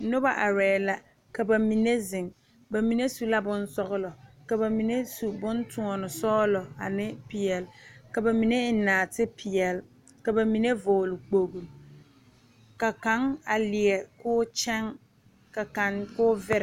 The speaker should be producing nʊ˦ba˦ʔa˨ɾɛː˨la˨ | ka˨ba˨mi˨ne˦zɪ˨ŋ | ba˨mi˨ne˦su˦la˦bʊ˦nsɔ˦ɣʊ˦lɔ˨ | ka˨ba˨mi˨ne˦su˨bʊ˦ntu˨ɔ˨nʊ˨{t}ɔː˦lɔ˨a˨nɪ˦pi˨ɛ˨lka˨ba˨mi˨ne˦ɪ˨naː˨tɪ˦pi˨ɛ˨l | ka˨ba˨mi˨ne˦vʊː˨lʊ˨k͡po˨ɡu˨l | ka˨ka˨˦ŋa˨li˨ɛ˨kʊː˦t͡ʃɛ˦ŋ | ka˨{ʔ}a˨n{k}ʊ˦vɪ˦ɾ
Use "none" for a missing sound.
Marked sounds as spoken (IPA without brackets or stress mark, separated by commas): s, k, k